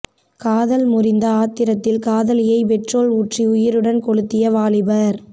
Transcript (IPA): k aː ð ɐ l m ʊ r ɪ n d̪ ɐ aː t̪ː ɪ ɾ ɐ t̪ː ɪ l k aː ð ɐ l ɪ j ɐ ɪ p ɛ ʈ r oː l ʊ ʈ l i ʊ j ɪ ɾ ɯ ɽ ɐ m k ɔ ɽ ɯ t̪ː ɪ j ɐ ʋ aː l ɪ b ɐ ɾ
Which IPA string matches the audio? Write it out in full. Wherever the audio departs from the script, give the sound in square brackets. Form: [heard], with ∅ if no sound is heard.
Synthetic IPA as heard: k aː ð ɐ l m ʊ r ɪ n d̪ ɐ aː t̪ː ɪ ɾ ɐ t̪ː ɪ l k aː ð ɐ l ɪ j ɐ ɪ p ɛ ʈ r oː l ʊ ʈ [r] i ʊ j ɪ ɾ ɯ ɽ ɐ [n] k ɔ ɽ ɯ t̪ː ɪ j ɐ ʋ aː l ɪ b ɐ ɾ